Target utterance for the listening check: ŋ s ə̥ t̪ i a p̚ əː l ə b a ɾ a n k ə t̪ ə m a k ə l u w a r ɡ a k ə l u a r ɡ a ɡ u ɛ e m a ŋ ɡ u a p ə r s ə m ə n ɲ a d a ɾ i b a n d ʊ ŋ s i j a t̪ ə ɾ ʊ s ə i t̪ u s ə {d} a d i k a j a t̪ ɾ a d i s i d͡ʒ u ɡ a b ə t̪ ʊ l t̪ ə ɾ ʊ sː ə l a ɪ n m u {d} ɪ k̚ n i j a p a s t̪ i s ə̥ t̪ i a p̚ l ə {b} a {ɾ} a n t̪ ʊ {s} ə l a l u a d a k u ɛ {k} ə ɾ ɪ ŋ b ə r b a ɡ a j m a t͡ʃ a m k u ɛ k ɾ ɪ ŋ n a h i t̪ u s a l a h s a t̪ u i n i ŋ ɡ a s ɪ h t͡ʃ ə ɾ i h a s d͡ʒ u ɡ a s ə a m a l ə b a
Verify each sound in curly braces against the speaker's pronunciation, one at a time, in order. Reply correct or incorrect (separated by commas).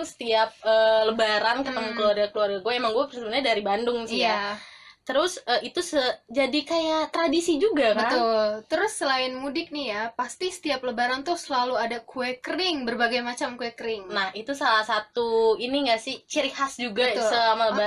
incorrect, correct, correct, correct, correct, correct